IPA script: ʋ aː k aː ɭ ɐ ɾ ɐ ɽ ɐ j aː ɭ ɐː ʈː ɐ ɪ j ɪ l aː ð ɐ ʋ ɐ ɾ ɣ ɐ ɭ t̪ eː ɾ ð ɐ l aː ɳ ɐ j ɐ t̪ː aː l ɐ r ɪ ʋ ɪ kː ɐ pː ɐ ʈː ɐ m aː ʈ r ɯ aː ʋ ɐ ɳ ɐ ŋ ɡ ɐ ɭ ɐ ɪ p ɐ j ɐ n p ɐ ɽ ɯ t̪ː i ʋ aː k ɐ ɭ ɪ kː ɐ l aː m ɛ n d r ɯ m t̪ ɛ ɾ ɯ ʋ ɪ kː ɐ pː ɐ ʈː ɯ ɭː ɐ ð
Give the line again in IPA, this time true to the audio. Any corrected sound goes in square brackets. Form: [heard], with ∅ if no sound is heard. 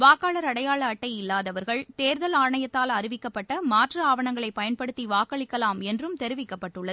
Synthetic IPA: ʋ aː k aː ɭ ɐ ɾ ɐ ɽ ɐ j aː ɭ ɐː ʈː ɐ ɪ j ɪ [lː] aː ð ɐ ʋ ɐ ɾ ɣ ɐ ɭ t̪ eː ɾ ð ɐ l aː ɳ ɐ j ɐ t̪ː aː l ɐ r ɪ ʋ ɪ kː ɐ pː ɐ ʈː ɐ m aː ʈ r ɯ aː ʋ ɐ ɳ ɐ ŋ ɡ ɐ ɭ ɐ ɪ p ɐ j ɐ n p ɐ ɽ ɯ t̪ː i ʋ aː k ɐ ɭ ɪ kː ɐ l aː m ɛ n d r ɯ m t̪ ɛ ɾ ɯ ʋ ɪ kː ɐ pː ɐ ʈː ɯ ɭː ɐ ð